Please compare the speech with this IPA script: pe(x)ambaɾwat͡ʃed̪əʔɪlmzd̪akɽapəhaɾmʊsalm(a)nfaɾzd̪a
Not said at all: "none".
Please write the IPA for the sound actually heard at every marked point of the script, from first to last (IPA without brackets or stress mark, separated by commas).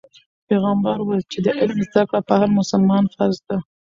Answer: ɣ, ɑ